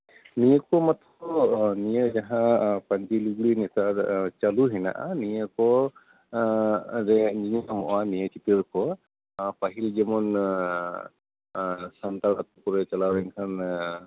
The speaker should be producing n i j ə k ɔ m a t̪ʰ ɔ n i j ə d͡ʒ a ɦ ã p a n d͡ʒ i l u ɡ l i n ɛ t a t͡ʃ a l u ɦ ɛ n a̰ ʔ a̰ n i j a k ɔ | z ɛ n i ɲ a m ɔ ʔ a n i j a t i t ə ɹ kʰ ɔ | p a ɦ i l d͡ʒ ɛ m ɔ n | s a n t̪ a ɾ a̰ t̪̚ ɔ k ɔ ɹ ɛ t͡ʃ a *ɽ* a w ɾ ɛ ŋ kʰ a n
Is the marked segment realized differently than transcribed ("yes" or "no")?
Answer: yes